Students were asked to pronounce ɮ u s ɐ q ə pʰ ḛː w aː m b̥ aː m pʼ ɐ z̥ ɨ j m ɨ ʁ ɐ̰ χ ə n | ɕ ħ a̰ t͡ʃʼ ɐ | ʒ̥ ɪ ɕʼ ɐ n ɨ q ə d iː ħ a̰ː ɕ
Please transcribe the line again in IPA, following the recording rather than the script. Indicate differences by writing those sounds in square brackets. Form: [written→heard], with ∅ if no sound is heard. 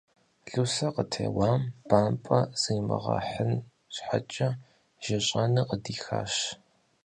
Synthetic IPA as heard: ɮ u s ɐ q ə [pʰ→tʰ] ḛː w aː m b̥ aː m pʼ ɐ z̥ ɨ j m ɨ ʁ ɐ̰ [χ→ħ] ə n | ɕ ħ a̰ t͡ʃʼ ɐ | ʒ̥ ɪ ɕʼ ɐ n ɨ q ə d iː [ħ→x] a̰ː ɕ